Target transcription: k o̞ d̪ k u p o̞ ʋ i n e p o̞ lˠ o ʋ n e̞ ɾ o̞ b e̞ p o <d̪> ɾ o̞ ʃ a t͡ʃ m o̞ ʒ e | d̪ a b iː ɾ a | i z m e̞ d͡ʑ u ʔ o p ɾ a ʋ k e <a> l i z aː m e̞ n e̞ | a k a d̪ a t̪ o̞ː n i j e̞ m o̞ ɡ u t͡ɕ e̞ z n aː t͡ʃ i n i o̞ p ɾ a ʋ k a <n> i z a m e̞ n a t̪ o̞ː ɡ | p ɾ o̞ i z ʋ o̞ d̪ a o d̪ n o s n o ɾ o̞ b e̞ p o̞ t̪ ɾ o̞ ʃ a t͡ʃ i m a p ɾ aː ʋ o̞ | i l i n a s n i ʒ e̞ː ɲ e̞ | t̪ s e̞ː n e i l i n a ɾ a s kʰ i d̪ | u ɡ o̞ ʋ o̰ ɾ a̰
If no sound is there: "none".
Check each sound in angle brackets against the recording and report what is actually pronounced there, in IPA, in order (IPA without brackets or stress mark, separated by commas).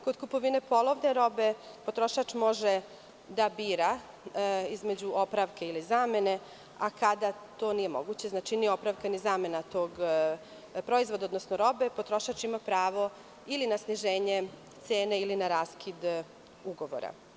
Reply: t̪, i, n